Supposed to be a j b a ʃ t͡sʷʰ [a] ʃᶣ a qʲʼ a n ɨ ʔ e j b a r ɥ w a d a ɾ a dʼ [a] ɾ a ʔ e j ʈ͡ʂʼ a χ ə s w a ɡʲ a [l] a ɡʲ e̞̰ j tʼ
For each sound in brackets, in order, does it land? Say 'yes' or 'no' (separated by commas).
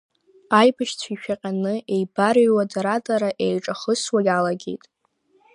no, yes, yes